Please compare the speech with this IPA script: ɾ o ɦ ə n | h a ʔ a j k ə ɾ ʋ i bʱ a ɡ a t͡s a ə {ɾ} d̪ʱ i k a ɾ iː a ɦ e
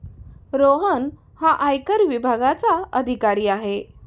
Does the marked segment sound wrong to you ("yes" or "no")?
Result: yes